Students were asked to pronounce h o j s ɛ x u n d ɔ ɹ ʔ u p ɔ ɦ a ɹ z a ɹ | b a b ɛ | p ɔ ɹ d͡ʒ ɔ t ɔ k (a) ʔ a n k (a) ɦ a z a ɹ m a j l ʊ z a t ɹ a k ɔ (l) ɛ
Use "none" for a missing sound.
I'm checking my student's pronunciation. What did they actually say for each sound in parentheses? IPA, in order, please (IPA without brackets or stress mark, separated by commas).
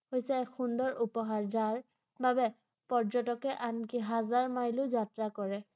ɛ, i, ɹ